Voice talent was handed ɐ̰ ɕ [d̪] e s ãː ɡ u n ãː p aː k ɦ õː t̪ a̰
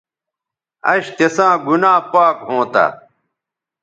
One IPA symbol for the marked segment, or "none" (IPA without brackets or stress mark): t̪